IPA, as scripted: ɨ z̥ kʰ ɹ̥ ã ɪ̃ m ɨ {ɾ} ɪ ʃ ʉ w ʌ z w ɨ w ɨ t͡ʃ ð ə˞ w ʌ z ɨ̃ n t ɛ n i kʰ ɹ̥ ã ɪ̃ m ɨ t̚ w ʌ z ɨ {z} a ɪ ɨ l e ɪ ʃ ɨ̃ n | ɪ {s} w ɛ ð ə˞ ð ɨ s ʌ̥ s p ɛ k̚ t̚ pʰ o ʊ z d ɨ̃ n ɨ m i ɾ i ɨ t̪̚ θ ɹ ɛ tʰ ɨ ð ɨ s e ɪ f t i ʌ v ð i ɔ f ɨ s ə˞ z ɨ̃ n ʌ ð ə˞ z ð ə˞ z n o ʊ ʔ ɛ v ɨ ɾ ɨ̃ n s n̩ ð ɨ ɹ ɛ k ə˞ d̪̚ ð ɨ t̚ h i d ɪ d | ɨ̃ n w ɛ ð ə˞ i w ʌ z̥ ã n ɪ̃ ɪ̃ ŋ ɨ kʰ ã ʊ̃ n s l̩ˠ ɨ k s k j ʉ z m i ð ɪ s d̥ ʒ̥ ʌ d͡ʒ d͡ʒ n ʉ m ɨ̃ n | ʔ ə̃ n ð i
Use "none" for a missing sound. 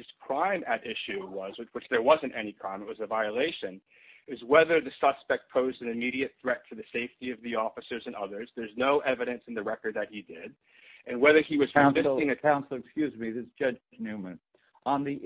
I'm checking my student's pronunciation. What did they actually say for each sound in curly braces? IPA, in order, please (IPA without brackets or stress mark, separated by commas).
ɾ, v, z